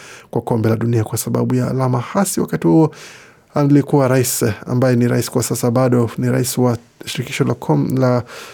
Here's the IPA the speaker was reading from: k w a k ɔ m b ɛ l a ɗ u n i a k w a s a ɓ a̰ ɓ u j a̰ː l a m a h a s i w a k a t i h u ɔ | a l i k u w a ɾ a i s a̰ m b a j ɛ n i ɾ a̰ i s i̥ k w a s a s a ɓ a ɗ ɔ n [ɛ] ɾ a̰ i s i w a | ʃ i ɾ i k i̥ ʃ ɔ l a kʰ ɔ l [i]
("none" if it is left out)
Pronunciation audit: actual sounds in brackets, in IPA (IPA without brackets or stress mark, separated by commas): i, a